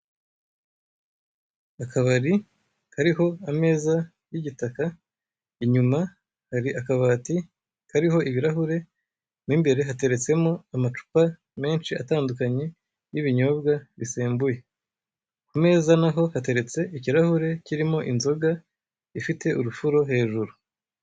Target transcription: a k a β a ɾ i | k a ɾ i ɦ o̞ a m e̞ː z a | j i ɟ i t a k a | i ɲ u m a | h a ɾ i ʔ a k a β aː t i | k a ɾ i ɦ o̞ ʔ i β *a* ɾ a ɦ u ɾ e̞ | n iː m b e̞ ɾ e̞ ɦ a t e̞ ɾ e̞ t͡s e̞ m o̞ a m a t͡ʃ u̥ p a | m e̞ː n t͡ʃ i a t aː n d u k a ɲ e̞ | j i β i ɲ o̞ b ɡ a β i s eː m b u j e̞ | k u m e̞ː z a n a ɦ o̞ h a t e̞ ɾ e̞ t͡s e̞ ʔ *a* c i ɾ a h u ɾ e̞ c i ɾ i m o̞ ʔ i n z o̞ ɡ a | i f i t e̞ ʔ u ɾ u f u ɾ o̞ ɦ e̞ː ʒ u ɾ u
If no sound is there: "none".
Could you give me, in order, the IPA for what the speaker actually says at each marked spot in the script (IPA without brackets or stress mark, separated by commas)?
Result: i, i